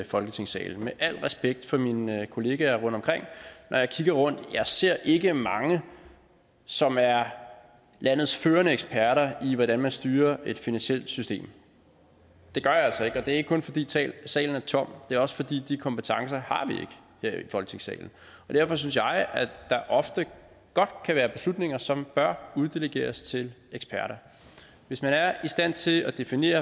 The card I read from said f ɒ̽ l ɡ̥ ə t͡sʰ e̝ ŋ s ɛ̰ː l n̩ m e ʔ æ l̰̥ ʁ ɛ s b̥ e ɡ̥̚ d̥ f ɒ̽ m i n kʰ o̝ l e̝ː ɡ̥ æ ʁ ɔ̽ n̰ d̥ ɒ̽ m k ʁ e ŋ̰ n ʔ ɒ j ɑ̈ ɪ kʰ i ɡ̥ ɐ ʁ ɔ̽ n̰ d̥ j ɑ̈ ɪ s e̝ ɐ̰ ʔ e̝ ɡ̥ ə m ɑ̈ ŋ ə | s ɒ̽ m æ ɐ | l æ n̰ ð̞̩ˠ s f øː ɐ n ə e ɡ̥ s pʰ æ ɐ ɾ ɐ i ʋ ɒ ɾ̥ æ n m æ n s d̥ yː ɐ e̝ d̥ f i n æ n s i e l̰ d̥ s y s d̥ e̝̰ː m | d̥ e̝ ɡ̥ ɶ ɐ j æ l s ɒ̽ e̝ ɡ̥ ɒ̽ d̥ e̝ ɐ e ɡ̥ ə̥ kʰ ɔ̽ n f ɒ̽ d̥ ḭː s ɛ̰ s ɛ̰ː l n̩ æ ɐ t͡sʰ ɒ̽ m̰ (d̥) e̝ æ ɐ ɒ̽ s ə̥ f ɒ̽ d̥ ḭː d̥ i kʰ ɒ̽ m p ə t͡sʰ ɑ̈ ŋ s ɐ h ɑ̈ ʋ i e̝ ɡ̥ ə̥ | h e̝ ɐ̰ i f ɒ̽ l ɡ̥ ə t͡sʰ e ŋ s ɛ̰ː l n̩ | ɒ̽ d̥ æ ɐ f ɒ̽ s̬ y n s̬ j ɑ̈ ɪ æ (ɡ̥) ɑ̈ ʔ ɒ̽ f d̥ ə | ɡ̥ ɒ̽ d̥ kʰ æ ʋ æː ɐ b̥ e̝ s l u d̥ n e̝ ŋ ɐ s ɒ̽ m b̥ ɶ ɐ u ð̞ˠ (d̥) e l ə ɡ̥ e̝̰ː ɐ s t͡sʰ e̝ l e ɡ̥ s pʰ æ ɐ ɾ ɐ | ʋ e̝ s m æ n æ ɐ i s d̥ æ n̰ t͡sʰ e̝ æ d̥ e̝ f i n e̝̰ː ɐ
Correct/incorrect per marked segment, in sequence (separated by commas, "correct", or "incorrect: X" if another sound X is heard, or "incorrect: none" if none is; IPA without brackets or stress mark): correct, incorrect: d̥, correct